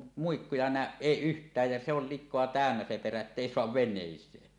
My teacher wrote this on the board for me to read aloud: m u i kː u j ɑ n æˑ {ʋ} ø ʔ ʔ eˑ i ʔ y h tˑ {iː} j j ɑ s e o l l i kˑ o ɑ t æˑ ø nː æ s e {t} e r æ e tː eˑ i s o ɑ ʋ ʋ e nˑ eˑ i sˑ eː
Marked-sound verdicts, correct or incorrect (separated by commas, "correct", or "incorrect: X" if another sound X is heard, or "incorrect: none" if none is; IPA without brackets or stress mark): incorrect: none, incorrect: æː, incorrect: p